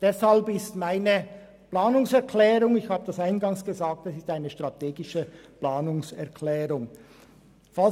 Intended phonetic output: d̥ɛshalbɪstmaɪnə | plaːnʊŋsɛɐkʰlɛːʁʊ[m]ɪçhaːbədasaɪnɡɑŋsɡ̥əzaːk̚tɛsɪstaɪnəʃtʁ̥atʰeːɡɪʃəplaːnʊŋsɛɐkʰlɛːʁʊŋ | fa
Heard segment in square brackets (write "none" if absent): ŋ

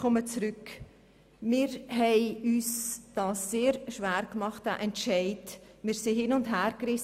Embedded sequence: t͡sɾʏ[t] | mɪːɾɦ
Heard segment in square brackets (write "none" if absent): k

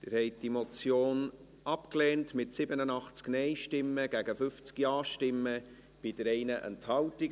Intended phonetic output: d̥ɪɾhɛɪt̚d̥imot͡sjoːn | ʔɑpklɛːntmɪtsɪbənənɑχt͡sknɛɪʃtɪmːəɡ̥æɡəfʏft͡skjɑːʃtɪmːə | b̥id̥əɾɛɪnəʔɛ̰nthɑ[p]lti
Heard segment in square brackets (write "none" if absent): none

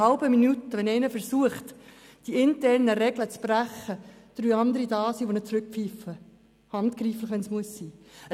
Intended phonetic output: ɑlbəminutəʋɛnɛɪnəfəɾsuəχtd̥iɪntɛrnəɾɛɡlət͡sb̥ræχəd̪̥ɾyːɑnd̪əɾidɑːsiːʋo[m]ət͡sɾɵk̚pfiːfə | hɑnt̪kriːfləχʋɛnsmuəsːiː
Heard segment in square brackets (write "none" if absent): n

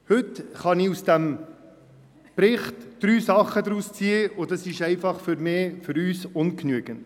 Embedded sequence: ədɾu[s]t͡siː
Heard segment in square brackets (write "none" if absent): s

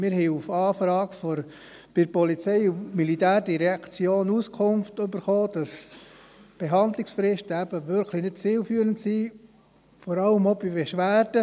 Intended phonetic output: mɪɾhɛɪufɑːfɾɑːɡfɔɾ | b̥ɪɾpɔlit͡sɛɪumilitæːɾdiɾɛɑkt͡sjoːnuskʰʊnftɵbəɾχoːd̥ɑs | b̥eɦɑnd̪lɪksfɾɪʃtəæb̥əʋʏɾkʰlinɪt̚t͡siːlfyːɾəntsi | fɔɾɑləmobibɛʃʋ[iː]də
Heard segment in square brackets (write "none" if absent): æː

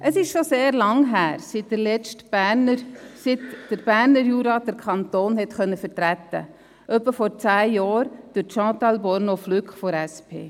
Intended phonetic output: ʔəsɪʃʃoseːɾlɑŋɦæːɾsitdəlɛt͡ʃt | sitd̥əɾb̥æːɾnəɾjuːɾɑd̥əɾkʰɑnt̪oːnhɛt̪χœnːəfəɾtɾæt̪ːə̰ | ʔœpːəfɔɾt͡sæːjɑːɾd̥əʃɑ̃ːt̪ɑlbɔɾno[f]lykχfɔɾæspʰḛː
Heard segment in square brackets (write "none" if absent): f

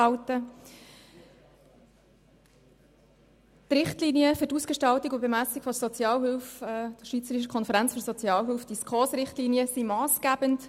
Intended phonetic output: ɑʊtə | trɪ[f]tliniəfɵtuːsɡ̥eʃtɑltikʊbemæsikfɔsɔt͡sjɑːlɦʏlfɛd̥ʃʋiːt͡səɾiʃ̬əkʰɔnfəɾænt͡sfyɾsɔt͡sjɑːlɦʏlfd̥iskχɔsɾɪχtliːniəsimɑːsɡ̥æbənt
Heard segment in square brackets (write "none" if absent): χ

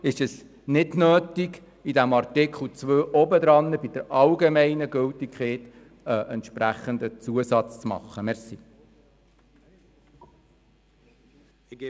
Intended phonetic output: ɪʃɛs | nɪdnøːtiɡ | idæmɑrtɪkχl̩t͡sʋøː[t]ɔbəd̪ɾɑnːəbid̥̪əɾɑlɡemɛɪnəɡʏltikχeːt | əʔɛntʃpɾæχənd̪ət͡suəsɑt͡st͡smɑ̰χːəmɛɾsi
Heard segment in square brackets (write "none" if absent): ʔ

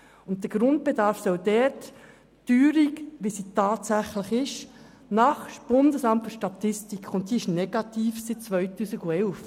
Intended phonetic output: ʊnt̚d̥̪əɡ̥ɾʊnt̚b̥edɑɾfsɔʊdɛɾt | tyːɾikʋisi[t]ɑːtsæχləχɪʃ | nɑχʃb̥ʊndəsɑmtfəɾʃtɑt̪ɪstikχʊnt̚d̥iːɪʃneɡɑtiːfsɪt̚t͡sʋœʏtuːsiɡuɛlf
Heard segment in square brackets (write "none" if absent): t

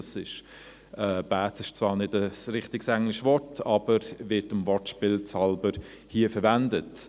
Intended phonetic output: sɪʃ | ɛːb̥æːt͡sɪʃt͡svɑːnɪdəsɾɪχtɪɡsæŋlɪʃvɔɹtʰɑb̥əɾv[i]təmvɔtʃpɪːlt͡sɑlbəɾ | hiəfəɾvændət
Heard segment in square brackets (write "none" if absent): ɪ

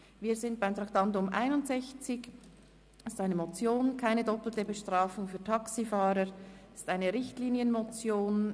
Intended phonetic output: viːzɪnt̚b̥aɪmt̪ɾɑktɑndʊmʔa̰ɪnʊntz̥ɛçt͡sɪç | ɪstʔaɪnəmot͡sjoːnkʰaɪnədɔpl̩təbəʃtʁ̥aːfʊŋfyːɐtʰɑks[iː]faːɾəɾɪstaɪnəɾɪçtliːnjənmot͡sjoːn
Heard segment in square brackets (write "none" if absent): i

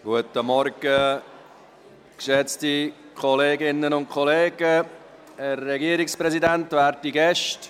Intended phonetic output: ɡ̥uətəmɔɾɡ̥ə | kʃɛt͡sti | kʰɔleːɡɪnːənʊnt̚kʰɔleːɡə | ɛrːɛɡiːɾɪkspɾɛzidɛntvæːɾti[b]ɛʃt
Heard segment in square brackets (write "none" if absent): ɡ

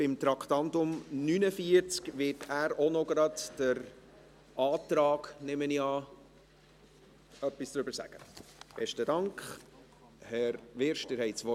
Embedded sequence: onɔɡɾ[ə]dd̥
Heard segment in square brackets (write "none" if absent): ɑ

